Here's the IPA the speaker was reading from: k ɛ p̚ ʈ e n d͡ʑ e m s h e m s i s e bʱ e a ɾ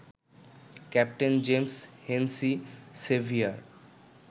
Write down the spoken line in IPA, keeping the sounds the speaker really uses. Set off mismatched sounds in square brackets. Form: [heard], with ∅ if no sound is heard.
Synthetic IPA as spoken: k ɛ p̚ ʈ e n d͡ʑ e m s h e [n] s i s e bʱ [i] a ɾ